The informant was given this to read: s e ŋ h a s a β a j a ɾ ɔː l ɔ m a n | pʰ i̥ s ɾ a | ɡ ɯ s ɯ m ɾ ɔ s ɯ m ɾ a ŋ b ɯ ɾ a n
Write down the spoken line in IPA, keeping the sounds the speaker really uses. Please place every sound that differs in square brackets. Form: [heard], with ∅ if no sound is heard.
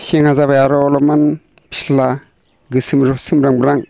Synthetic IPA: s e ŋ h a [z] a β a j a ɾ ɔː l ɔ m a n | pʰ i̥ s [l] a | ɡ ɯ s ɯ m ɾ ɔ s ɯ m ɾ a ŋ b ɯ ɾ a [ŋ]